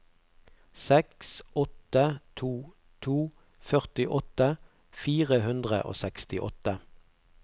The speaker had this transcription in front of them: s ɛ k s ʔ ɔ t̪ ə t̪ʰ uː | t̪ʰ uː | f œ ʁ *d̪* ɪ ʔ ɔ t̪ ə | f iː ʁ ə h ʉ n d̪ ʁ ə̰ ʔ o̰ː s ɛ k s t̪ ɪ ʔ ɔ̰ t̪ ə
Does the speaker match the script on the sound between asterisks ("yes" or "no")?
no